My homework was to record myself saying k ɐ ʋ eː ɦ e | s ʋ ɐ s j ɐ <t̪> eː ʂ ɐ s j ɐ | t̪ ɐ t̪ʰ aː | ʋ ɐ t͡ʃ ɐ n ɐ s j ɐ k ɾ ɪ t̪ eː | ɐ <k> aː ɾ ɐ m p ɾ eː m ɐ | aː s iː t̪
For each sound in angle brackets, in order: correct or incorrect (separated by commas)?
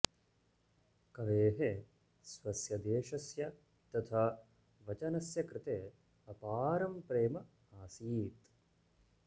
incorrect, incorrect